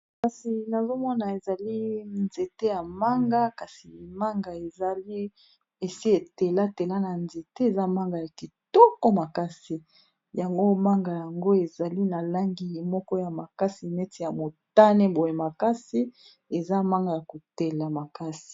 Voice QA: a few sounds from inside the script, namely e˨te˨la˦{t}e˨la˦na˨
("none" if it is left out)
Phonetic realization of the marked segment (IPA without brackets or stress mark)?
t